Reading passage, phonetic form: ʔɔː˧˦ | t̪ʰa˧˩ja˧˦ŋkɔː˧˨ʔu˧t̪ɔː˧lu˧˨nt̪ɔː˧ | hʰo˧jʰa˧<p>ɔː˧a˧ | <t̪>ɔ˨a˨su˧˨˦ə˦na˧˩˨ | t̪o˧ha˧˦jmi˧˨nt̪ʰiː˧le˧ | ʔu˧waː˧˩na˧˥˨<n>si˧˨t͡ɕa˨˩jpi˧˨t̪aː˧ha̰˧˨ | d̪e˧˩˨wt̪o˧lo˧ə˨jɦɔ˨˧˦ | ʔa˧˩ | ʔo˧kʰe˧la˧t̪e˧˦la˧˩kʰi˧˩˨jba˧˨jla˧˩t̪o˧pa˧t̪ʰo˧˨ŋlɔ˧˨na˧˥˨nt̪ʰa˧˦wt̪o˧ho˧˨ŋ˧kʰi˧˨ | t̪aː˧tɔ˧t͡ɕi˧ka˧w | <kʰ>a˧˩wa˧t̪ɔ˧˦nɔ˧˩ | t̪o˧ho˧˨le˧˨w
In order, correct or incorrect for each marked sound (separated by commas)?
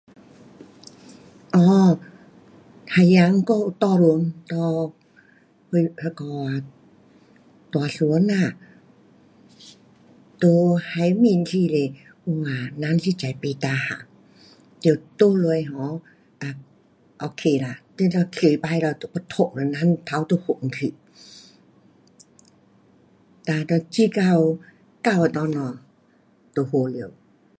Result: incorrect, correct, correct, incorrect